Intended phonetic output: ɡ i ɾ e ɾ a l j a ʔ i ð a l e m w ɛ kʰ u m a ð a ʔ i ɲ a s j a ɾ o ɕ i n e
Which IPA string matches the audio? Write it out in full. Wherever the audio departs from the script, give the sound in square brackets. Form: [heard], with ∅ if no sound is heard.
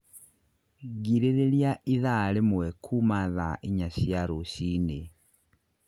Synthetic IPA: ɡ i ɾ e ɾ [e] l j a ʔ i ð a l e m w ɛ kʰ u m a ð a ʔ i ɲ a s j a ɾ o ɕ i n e